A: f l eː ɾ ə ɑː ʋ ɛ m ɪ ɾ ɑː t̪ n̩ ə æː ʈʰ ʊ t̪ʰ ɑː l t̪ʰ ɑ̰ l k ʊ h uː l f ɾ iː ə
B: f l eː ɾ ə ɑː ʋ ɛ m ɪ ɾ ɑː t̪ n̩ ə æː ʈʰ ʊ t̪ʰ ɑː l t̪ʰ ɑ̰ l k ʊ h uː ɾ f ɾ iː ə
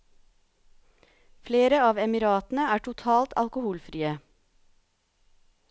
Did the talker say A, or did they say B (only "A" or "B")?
A